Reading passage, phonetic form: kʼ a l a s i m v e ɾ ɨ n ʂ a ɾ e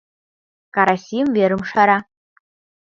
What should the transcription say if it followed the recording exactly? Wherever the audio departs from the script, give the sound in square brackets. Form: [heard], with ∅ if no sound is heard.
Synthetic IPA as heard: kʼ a [ɾ] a s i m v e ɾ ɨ [m] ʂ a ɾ [a]